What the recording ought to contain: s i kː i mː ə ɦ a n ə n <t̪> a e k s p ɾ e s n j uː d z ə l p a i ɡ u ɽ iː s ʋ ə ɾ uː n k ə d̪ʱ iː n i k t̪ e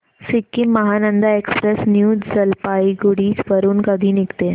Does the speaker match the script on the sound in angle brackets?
no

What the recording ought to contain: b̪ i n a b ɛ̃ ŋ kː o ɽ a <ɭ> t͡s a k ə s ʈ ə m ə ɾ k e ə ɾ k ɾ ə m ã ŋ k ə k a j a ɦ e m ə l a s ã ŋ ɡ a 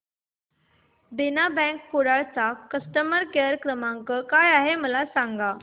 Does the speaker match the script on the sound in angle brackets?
yes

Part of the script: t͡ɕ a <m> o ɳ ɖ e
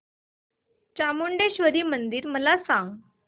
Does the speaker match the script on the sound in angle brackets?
yes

